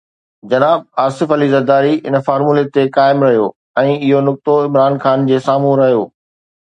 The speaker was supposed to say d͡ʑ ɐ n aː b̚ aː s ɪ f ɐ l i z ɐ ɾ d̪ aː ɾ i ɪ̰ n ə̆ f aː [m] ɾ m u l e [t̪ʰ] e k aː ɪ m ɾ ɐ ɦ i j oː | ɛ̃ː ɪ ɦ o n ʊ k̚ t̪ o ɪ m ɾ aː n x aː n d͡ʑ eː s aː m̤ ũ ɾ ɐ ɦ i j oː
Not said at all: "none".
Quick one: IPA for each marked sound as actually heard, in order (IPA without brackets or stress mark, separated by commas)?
none, t̪